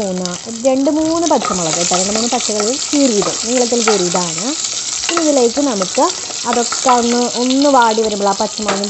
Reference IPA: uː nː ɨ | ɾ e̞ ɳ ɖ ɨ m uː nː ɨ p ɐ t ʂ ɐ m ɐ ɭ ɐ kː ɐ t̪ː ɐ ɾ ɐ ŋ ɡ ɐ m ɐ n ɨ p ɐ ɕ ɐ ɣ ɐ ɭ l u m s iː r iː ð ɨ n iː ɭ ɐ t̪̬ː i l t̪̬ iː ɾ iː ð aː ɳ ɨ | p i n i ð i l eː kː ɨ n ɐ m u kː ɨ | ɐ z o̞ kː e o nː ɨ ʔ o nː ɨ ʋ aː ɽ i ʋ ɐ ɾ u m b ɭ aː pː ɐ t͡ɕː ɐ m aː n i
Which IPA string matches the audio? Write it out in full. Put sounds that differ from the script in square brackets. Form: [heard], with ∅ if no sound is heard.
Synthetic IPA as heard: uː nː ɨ | ɾ e̞ ɳ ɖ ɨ m uː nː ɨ p ɐ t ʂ ɐ m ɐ ɭ ɐ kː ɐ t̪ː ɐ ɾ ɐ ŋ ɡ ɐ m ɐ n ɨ p ɐ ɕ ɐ ɣ ɐ ɭ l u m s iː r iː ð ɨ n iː ɭ ɐ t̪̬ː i l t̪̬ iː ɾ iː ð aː ɳ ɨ | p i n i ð i l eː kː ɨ n ɐ m u kː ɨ | ɐ [ð] o̞ kː e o nː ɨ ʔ o nː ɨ ʋ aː ɽ i ʋ ɐ ɾ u m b ɭ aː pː ɐ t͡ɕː ɐ m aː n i

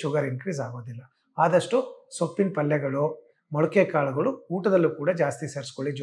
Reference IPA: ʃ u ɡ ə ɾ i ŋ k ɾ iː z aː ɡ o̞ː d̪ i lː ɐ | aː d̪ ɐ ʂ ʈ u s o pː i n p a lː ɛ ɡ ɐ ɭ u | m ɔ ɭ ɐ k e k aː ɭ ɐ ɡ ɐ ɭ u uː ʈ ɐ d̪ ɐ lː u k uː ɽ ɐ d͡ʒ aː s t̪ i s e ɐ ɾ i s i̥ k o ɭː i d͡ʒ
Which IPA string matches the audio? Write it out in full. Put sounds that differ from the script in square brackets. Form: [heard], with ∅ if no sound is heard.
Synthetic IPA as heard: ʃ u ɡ [ɐ] ɾ i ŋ k ɾ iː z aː ɡ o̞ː d̪ i lː ɐ | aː d̪ ɐ ʂ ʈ u s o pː i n p [ɐ] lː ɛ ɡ ɐ ɭ u | m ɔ ɭ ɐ k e k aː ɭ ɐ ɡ ɐ ɭ u uː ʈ ɐ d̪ ɐ lː u k uː ɽ ɐ d͡ʒ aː s t̪ i s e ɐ ɾ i s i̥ k o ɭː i d͡ʒ

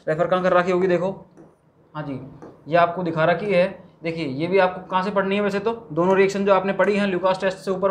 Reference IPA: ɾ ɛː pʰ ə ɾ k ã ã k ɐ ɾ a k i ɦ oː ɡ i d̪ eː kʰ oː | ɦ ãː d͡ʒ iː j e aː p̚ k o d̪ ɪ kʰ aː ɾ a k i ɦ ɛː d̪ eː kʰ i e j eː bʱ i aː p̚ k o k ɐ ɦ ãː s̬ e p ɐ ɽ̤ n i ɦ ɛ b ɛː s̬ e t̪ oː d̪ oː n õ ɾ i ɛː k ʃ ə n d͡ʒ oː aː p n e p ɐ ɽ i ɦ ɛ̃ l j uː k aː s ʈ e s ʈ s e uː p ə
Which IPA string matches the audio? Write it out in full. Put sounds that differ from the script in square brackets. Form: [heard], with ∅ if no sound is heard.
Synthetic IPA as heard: ɾ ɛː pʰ ə ɾ k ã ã k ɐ ɾ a k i ɦ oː ɡ i d̪ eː kʰ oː | ɦ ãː d͡ʒ iː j e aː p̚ k o d̪ ɪ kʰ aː ɾ a k i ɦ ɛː d̪ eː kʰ i e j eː bʱ i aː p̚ k o k ɐ ɦ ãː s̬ e p ɐ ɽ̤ n i ɦ ɛ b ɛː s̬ e t̪ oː d̪ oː n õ ɾ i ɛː k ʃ ə n d͡ʒ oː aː p n e p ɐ ɽ i ɦ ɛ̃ l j uː k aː s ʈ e s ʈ s e uː p ə

